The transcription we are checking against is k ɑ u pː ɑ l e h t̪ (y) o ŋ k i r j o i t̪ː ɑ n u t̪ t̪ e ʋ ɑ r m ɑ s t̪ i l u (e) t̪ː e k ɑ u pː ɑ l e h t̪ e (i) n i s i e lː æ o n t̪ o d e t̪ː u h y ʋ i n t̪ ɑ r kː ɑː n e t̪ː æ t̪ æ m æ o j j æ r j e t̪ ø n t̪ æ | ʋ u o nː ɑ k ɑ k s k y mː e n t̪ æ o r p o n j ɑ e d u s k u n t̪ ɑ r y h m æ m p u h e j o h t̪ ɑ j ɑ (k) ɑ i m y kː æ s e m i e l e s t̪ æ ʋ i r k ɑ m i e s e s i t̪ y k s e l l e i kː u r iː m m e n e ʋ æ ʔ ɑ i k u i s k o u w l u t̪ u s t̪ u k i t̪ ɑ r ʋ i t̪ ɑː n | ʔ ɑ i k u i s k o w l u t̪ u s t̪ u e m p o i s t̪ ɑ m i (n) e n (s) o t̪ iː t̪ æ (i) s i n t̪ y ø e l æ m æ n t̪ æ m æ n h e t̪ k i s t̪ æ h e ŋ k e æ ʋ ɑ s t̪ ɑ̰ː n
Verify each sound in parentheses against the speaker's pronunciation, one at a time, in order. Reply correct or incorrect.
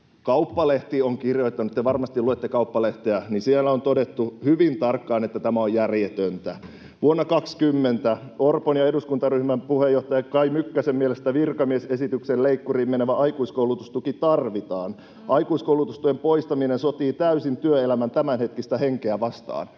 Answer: incorrect: i, correct, incorrect: æ, correct, correct, correct, incorrect: y

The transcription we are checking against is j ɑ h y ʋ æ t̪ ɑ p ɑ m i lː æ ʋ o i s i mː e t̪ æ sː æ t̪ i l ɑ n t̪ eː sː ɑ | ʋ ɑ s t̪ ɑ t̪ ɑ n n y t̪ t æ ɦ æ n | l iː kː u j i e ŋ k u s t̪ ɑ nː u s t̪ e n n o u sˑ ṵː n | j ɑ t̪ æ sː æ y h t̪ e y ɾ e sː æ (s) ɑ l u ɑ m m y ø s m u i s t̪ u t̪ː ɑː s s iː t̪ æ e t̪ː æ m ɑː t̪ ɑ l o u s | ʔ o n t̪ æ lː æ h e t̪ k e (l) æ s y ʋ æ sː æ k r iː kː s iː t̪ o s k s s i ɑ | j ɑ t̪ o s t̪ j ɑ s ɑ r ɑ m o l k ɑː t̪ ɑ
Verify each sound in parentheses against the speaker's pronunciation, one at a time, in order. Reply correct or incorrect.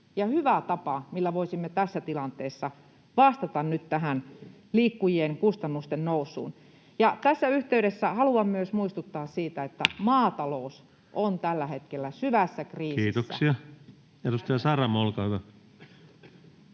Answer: incorrect: h, incorrect: lː

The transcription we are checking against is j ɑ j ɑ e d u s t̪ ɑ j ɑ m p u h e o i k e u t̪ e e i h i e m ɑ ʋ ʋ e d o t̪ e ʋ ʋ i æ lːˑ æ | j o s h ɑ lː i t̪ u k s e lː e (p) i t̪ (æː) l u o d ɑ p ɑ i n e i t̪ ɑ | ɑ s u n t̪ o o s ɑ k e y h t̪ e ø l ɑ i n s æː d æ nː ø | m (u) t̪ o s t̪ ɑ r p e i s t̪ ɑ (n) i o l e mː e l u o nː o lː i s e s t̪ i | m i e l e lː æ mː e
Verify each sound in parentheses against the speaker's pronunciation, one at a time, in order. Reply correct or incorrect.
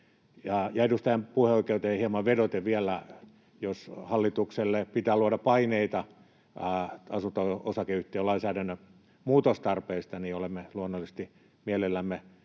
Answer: correct, correct, incorrect: uː, correct

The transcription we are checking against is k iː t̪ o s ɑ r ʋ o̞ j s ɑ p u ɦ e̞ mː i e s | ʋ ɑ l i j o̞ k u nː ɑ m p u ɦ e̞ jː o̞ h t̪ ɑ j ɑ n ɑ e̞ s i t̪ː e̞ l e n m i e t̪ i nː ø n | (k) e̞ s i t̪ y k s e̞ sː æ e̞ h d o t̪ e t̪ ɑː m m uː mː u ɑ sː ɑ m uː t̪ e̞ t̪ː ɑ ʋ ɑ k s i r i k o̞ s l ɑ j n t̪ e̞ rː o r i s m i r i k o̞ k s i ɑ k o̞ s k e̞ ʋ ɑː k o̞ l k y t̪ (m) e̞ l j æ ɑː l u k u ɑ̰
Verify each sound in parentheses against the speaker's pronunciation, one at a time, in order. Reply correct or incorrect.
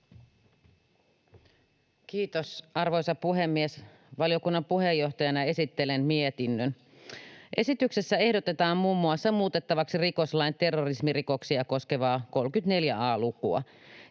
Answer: incorrect: ʔ, incorrect: n

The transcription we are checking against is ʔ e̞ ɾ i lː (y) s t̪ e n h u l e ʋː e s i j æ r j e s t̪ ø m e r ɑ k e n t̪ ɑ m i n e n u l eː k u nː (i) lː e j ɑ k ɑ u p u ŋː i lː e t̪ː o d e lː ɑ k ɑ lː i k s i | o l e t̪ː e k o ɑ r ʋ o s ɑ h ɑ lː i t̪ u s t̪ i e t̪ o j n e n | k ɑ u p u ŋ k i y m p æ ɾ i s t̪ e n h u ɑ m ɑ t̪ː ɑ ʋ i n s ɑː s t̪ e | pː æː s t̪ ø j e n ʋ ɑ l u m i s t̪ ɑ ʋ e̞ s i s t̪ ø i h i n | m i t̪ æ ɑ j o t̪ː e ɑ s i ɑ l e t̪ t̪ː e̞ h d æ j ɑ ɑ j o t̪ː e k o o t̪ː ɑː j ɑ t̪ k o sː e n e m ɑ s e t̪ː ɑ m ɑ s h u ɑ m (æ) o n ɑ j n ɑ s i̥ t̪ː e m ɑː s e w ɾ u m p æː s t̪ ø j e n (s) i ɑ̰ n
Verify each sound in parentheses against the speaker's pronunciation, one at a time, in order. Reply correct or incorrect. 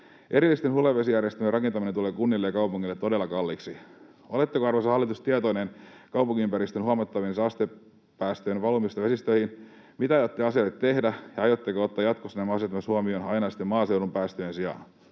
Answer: incorrect: i, correct, incorrect: i, correct

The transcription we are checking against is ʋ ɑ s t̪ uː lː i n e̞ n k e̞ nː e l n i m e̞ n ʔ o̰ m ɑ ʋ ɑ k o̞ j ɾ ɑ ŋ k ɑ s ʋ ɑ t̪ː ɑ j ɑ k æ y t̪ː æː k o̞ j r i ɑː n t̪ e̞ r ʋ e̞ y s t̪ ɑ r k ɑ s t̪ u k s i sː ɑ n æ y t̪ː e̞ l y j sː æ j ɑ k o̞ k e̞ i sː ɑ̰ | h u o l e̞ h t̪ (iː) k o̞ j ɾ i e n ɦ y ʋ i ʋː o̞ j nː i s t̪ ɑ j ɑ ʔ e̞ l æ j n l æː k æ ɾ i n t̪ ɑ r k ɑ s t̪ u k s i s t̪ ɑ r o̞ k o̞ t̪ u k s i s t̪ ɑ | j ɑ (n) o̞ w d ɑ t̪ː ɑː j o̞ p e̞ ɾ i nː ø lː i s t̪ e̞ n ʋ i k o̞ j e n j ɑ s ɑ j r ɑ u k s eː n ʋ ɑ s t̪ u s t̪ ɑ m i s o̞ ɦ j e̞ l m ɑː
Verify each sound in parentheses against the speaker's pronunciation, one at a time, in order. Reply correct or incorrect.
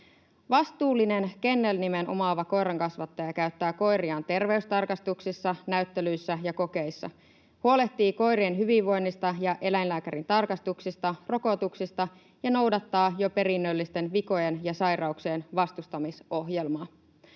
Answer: correct, correct

